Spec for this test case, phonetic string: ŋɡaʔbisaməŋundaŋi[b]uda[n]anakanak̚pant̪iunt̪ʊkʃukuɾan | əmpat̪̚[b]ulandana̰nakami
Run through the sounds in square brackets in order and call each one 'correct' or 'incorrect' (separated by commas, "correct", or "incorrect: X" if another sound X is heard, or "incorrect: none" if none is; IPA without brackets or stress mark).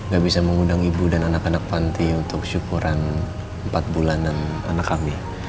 correct, correct, correct